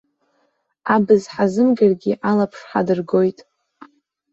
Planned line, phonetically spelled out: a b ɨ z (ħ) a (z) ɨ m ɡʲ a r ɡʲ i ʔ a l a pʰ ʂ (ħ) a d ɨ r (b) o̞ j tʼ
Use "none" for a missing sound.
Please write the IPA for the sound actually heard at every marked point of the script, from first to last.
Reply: ħ, z, ħ, ɡ

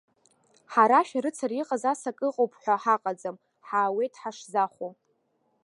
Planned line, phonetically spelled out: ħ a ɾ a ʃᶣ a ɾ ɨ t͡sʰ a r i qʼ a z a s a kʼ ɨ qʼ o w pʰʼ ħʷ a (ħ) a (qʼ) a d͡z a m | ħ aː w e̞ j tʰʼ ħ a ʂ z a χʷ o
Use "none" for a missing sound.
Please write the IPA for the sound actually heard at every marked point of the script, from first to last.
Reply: ħ, qʼ

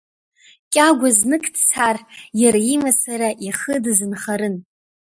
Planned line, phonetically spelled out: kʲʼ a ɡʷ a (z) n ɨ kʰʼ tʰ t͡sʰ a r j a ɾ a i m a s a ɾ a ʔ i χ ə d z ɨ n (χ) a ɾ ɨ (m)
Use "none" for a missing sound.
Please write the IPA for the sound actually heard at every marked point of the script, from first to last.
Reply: z, χ, n

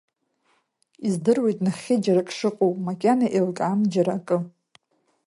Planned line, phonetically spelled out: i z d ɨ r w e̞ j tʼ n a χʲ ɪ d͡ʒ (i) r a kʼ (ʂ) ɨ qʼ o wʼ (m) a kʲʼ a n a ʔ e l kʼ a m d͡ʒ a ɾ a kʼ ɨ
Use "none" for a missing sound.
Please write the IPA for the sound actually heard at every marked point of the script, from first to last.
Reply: a, ʂ, m

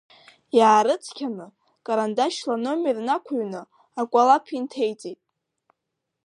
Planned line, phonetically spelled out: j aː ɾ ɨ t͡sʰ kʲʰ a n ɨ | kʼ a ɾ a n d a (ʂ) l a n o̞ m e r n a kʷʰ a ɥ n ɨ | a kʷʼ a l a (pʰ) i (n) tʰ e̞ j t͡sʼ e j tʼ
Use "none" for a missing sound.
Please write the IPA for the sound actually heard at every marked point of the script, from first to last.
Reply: ʃ, pʰ, n

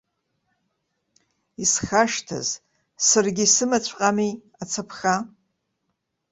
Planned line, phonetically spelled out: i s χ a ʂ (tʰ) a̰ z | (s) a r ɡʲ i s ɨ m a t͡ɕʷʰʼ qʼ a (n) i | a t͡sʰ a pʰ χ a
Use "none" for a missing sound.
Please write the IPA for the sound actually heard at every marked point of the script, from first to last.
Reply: tʰ, s, m

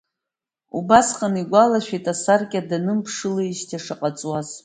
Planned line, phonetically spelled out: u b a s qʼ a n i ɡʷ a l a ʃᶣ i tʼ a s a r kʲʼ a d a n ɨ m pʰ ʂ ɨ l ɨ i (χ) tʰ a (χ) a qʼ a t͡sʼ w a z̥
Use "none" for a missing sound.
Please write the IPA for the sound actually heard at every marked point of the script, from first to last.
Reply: ʃ, ʂ

